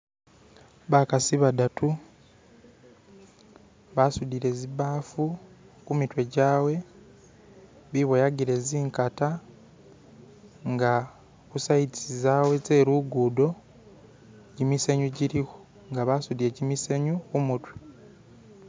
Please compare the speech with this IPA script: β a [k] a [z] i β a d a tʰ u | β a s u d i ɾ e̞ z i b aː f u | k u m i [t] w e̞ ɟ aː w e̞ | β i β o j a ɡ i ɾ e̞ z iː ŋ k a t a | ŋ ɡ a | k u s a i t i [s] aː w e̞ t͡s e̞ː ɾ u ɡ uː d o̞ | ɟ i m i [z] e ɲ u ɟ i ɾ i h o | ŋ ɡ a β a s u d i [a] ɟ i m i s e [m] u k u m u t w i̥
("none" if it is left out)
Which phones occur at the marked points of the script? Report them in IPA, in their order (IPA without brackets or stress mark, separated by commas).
k, s, t, z, s, e, ɲ